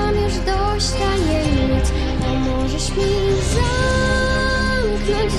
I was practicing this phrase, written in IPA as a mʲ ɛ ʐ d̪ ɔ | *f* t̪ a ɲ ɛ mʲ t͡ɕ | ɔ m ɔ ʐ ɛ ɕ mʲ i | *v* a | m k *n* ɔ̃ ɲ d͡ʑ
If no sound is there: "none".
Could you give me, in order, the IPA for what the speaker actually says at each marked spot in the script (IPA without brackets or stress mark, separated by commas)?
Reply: ɕ, z, n